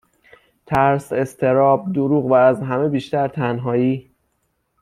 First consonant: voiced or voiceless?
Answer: voiceless